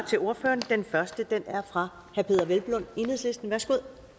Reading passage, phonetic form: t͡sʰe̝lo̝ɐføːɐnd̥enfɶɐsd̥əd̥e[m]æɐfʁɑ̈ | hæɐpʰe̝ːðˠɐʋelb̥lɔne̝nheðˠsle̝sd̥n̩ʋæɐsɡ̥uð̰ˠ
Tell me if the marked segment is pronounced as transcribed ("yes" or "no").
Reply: no